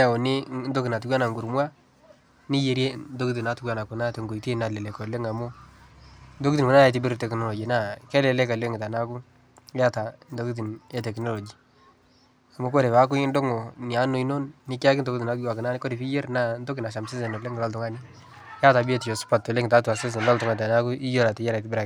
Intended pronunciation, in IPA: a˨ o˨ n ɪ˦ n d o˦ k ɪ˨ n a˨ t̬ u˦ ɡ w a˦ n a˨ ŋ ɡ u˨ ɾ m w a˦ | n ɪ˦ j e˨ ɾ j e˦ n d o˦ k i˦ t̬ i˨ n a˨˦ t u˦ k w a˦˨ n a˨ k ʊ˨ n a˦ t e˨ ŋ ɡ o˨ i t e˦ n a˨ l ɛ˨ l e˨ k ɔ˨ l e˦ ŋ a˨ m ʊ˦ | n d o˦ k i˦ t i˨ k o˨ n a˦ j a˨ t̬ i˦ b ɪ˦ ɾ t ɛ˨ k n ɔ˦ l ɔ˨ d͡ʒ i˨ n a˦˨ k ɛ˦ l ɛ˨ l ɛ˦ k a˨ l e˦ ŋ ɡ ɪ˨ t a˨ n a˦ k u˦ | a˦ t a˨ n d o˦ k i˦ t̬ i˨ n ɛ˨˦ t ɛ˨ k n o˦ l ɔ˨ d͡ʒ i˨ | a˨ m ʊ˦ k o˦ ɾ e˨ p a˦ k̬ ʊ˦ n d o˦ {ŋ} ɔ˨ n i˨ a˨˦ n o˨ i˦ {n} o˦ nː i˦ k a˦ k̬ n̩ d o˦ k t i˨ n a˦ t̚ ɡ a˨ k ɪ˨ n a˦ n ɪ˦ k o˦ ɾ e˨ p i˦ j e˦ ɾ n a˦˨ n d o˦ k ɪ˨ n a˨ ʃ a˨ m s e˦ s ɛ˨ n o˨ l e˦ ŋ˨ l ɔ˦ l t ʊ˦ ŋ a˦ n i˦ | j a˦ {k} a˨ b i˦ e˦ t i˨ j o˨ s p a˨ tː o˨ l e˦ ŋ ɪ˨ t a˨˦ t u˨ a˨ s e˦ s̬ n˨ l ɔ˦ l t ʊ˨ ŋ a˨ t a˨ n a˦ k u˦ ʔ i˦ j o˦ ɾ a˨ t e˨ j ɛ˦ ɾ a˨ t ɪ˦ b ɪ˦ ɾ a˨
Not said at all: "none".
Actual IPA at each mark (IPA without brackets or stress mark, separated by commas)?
ŋ, n, t